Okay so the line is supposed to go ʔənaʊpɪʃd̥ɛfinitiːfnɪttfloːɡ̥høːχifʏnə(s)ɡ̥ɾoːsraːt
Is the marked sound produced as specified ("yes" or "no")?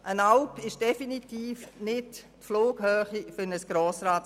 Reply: yes